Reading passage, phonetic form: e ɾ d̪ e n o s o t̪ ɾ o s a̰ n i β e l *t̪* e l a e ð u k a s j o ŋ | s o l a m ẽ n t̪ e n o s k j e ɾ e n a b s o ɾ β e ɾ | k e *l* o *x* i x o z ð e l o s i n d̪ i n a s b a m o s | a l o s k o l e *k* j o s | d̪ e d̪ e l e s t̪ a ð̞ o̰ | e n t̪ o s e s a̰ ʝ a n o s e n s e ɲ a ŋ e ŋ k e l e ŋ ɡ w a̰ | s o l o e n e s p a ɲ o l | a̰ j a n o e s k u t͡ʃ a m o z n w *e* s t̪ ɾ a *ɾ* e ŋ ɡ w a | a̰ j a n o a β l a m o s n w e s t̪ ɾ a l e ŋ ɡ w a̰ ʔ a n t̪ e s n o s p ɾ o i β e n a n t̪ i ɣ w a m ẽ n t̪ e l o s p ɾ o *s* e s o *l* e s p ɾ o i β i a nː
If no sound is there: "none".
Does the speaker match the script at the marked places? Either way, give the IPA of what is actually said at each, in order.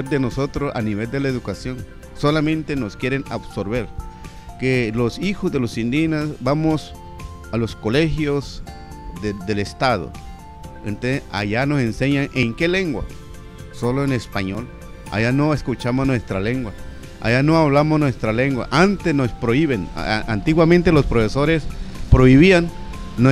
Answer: d̪, l, s, x, e, l, f, ɾ

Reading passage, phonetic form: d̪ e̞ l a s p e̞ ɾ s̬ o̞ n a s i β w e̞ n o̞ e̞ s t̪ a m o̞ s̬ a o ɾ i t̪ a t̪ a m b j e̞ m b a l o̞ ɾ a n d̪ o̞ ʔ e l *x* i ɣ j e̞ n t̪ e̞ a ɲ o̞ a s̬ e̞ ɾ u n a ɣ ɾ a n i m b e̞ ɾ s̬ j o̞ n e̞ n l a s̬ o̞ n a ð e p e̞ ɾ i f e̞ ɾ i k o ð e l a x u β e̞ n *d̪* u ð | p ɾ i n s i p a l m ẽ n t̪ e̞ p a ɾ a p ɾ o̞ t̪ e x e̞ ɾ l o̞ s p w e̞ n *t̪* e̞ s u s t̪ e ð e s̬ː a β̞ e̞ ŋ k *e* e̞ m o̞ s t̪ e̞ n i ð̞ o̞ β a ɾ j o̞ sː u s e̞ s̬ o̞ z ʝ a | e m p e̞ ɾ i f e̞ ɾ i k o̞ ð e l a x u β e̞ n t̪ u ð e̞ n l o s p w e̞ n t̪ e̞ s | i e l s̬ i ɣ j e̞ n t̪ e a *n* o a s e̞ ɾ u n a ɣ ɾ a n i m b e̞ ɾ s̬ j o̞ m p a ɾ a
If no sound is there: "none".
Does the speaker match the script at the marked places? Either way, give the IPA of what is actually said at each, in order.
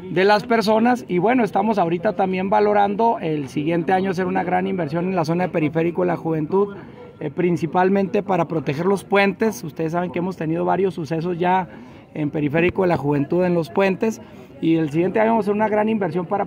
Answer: s, t̪, t̪, e, ɲ

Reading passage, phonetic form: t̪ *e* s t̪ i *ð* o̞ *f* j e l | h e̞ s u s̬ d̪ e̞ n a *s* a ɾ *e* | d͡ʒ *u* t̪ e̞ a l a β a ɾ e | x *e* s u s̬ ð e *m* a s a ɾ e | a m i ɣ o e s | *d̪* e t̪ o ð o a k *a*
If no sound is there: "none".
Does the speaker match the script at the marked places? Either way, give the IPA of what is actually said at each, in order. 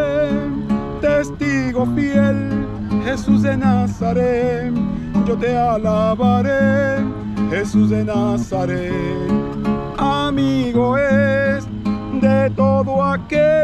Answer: e, ɣ, f, s, e, o, e, n, d̪, e

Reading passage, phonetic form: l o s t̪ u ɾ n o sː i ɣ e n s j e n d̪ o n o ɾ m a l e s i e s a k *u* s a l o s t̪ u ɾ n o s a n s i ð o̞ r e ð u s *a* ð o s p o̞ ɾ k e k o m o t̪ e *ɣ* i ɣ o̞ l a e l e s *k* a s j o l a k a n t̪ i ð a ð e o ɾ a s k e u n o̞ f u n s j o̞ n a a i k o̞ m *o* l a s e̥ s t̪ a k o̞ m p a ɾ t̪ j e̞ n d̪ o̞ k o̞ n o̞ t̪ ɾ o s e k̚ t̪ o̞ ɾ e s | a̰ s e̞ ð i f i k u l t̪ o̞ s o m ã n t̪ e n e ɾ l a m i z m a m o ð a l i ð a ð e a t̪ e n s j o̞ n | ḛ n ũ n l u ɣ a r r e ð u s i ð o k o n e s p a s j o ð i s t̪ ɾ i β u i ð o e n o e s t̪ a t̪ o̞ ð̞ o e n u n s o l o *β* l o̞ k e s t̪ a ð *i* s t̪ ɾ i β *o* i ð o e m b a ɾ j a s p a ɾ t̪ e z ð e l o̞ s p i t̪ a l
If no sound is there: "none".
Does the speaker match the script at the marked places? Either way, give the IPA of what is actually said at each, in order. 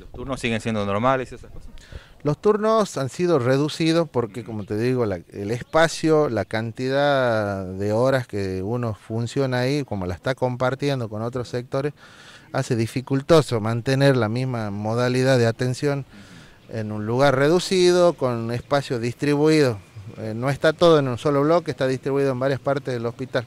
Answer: o, i, ð, p, o, β, i, u

